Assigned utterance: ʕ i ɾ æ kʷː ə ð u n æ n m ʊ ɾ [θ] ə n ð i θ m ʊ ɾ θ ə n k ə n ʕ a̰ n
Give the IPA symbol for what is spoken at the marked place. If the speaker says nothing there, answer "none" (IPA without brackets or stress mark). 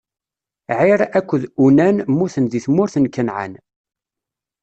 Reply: θ